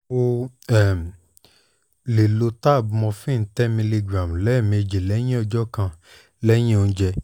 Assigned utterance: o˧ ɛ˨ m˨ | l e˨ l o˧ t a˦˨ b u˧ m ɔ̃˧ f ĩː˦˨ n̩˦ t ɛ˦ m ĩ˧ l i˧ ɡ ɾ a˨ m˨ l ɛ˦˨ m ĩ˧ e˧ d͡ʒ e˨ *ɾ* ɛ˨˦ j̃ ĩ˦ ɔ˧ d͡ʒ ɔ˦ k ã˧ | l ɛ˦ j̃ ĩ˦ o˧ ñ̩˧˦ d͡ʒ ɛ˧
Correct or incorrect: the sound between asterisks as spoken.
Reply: incorrect: l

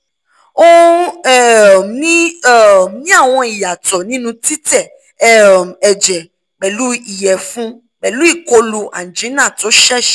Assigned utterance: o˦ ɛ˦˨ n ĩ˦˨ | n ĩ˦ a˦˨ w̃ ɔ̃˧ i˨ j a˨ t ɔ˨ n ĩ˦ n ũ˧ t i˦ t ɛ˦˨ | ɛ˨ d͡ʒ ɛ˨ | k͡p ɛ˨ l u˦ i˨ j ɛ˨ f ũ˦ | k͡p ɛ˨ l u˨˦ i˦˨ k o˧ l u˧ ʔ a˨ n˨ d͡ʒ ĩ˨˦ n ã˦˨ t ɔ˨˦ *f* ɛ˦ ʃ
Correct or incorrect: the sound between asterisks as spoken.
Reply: incorrect: ʃ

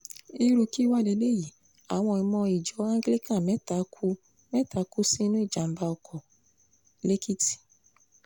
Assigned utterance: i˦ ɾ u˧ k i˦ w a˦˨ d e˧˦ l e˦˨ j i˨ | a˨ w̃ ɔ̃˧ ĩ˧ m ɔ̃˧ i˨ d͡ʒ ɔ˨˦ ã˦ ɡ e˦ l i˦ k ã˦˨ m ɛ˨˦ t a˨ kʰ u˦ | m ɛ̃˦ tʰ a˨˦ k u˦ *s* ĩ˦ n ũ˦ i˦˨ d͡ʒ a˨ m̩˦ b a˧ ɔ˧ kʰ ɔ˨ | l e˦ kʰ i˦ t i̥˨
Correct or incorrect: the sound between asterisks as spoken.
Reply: correct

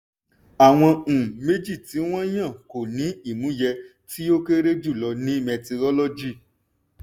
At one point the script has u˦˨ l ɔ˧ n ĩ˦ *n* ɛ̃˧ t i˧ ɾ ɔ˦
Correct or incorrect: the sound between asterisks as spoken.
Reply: incorrect: m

